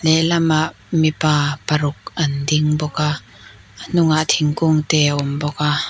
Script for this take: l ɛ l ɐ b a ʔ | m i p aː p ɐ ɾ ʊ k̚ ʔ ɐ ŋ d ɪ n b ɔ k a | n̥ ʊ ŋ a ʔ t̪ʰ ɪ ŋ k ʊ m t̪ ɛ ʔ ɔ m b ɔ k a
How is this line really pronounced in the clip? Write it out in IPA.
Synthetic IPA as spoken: l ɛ l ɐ m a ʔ | m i p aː p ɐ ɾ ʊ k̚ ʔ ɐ n d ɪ ŋ b ɔ k a | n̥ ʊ ŋ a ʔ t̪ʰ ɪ ŋ k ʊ ŋ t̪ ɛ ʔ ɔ m b ɔ k a